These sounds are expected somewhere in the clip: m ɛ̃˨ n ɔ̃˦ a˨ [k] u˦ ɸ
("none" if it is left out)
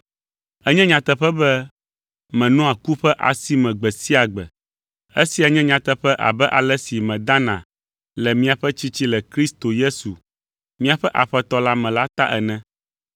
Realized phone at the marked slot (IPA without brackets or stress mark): k